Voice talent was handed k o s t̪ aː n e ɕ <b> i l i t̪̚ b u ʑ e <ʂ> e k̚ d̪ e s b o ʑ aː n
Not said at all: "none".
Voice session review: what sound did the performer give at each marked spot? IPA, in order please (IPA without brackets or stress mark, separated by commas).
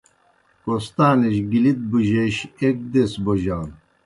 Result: ɡ, ɕ